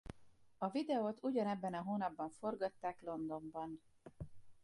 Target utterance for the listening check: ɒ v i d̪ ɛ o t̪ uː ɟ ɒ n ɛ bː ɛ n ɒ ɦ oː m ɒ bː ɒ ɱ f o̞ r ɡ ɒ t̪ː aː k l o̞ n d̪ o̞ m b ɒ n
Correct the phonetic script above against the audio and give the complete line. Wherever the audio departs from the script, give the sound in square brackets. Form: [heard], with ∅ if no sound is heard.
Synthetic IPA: ɒ v i d̪ ɛ o t̪ [u] ɟ ɒ n ɛ bː ɛ n ɒ ɦ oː [n] ɒ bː ɒ ɱ f o̞ r ɡ ɒ t̪ː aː k l o̞ n d̪ o̞ m b ɒ n